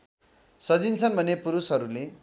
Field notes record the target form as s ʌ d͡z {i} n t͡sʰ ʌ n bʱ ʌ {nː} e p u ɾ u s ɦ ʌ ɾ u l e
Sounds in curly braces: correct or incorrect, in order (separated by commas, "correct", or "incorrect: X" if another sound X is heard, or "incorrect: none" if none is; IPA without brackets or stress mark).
correct, incorrect: n